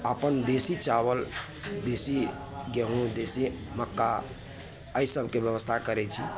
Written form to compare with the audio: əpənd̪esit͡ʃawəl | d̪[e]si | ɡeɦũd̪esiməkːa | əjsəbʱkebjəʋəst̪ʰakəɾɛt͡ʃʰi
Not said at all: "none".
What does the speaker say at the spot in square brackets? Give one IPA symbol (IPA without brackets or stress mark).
e